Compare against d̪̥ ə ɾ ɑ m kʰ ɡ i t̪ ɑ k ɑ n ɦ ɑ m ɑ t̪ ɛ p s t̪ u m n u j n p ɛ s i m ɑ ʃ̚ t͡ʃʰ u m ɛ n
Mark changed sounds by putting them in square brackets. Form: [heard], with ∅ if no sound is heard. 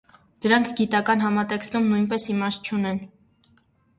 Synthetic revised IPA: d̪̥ ə ɾ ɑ [ŋ] kʰ ɡ i t̪ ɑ k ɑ n ɦ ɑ m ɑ t̪ ɛ [k] s t̪ u m n u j n p ɛ s i m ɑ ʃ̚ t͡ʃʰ u [n] ɛ n